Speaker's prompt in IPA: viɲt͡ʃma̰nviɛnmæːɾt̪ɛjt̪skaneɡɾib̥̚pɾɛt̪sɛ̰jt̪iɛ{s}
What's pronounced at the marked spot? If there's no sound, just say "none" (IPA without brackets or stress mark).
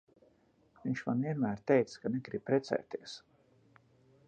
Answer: s